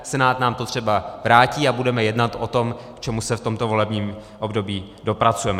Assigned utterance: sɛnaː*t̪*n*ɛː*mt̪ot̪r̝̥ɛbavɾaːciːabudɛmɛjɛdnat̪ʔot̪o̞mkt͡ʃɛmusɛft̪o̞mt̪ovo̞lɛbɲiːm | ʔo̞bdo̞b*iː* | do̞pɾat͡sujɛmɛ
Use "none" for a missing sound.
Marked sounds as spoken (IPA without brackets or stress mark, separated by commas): t̪, aː, iː